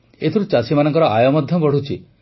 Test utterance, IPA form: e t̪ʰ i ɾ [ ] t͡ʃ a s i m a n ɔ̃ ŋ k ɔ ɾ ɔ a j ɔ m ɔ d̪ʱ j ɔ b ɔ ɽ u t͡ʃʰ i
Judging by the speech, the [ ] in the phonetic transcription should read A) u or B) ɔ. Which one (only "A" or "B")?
A